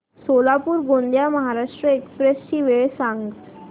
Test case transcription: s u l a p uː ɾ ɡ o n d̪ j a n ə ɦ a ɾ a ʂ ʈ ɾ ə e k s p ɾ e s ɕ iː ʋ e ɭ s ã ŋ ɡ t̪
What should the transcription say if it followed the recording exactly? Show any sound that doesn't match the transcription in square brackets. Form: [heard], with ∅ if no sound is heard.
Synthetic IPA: s [o] l a p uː ɾ ɡ o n d̪ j a [m] ə ɦ a ɾ a ʂ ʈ ɾ ə e k s p ɾ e s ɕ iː ʋ e ɭ s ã ŋ ɡ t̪